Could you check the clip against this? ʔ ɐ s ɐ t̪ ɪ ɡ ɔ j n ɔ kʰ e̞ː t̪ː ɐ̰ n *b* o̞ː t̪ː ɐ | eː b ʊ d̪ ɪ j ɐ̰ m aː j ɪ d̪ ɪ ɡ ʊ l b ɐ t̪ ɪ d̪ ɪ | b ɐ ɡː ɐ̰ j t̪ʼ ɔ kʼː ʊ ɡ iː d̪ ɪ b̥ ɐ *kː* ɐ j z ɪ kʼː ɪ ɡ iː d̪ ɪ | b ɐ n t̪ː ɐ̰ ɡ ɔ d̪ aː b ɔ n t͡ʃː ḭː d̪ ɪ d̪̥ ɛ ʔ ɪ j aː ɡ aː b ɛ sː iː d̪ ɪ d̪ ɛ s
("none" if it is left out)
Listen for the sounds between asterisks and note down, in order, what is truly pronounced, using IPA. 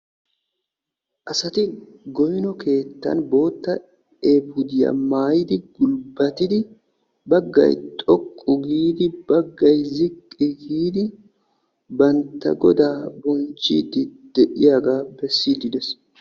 b, ɡː

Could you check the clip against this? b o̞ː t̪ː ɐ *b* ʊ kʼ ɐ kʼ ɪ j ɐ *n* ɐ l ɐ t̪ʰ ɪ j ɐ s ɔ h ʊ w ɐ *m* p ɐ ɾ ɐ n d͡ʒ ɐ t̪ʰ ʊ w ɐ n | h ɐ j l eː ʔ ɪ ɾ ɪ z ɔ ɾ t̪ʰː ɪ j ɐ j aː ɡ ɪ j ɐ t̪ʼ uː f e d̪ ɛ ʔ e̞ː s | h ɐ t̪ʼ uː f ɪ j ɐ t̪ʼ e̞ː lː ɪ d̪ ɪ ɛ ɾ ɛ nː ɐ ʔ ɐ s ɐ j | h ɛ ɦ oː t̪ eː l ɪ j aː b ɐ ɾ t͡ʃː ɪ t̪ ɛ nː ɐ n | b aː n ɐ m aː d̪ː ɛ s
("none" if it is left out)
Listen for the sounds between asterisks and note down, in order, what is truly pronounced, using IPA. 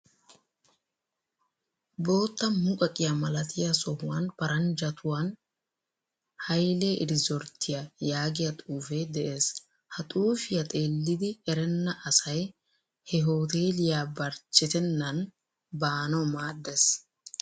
m, m, n

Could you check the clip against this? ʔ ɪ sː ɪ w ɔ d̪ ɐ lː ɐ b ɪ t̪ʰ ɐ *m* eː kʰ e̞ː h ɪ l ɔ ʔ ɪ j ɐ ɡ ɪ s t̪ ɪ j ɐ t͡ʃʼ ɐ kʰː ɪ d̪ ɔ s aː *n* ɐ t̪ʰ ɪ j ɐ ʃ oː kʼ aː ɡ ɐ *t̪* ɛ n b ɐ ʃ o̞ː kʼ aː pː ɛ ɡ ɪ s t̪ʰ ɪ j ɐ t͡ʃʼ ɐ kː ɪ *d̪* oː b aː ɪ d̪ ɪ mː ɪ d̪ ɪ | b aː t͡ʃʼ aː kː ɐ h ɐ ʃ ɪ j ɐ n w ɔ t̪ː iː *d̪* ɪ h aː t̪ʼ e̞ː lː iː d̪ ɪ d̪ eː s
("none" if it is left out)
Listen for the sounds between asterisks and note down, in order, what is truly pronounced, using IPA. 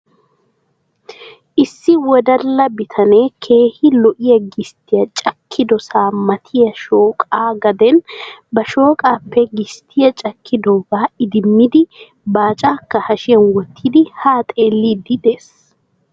n, m, d̪, d̪, d̪

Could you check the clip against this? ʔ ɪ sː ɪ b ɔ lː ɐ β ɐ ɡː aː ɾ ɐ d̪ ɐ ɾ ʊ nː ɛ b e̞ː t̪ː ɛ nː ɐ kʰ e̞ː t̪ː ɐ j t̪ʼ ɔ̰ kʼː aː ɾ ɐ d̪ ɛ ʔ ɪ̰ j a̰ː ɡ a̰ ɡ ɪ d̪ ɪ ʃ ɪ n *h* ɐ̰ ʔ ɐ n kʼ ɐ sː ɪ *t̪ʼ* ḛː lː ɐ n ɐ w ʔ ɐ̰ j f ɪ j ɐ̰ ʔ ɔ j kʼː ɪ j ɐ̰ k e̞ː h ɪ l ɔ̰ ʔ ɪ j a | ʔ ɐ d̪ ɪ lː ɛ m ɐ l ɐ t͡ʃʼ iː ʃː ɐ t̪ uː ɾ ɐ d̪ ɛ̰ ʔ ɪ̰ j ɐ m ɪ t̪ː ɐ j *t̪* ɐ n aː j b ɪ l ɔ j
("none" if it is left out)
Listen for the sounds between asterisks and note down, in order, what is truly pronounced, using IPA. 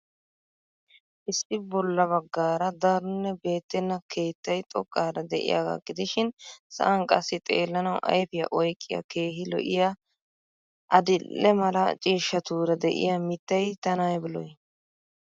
s, t̪ʼ, t̪

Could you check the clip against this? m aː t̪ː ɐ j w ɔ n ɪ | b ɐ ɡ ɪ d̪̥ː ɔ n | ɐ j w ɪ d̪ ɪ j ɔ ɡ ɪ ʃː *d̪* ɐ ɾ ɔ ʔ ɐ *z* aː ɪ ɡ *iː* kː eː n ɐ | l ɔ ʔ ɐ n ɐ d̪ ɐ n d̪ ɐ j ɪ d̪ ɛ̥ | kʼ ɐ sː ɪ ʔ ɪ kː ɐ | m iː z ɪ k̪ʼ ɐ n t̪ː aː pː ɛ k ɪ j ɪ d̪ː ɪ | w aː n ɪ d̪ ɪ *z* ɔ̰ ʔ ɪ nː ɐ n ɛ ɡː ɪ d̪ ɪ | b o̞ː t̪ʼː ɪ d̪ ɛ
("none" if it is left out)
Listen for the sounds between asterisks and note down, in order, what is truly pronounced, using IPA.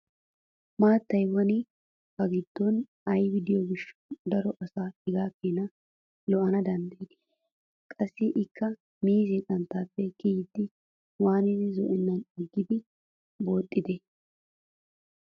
d̪, s, aː, z

